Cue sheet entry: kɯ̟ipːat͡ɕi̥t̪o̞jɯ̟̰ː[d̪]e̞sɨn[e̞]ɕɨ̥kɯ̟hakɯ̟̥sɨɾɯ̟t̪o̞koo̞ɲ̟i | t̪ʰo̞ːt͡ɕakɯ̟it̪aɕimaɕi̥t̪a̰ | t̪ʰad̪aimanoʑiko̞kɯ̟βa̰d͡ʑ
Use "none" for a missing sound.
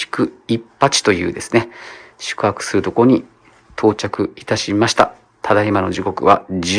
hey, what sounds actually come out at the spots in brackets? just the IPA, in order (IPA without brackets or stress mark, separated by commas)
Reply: d̪, e̞